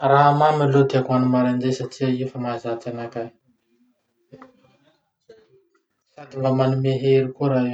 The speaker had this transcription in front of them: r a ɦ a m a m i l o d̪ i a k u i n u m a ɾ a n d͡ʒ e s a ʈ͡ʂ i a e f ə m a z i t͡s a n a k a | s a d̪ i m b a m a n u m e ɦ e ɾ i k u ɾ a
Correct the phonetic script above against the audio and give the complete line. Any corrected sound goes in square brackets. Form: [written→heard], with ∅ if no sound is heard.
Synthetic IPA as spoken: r a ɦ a m a m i l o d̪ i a k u [i→a] n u m a ɾ a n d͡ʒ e s a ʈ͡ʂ i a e f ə m a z [i→a] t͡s a n a k a | s a d̪ i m b a m a n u m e ɦ e ɾ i k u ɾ a